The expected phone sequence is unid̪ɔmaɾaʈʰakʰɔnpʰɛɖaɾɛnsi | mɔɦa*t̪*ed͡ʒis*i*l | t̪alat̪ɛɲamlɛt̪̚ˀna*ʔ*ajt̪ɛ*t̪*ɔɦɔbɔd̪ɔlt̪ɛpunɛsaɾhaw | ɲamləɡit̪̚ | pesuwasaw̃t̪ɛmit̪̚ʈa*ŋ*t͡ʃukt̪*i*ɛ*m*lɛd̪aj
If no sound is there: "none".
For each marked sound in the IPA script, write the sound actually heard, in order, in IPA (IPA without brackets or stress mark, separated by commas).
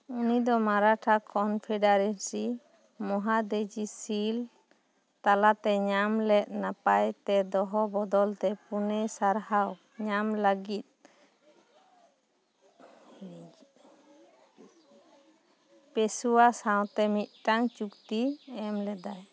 d̪, i, p, d̪, ŋ, i, m